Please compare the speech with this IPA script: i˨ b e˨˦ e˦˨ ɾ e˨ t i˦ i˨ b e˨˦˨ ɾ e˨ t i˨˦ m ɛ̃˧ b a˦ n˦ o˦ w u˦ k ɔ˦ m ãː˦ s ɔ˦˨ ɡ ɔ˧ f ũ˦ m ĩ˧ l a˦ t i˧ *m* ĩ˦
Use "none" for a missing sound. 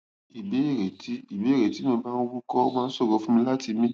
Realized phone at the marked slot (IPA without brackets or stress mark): m